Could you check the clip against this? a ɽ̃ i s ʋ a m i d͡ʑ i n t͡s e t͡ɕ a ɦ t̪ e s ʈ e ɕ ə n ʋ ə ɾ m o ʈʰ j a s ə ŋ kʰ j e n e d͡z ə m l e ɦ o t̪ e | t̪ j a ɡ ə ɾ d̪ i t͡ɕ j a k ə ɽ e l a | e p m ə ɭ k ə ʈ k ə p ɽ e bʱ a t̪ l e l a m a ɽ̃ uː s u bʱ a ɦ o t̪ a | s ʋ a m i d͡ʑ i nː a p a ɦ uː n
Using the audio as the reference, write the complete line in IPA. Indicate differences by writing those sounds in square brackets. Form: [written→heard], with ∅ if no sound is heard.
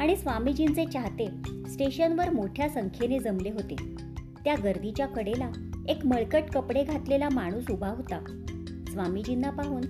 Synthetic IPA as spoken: a ɽ̃ i s ʋ a m i d͡ʑ i n t͡s e t͡ɕ a ɦ t̪ e s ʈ e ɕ ə n ʋ ə ɾ m o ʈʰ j a s ə ŋ kʰ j e n e d͡z ə m l e ɦ o t̪ e | t̪ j a ɡ ə ɾ d̪ i t͡ɕ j a k ə ɽ e l a | e [p→k] m ə ɭ k ə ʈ k ə p ɽ e [bʱ→ɡʱ] a t̪ l e l a m a ɽ̃ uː s u bʱ a ɦ o t̪ a | s ʋ a m i d͡ʑ i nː a p a ɦ uː n